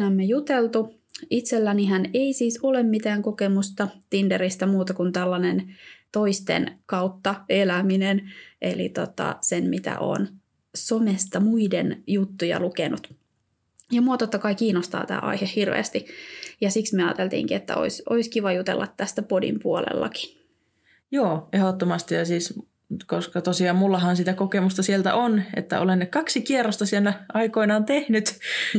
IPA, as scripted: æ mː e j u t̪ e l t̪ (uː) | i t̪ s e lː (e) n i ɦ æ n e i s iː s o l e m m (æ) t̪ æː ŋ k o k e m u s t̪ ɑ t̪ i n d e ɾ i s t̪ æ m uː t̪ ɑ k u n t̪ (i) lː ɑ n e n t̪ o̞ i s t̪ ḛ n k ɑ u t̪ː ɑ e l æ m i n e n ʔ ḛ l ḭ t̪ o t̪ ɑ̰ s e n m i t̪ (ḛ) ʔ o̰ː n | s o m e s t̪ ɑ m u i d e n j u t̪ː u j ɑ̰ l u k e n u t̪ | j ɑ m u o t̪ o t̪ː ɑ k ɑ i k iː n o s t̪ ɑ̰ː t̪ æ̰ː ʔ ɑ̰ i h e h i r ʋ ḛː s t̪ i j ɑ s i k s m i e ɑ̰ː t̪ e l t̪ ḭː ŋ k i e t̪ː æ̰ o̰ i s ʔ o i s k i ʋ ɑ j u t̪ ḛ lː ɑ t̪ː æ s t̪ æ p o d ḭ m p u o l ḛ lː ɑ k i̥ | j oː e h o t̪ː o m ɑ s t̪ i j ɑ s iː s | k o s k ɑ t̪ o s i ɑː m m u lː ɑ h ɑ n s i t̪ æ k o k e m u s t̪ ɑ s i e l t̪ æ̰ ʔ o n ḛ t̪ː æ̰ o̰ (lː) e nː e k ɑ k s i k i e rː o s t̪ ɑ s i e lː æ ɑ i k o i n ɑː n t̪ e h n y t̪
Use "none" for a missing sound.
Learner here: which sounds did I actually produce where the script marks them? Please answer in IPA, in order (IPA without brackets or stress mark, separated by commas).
u, æ, i, æ, æ̰, l